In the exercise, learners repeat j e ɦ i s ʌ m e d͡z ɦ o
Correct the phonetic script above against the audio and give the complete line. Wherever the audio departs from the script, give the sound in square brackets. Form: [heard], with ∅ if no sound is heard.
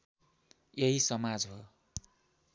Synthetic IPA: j e ɦ i s ʌ m [a] d͡z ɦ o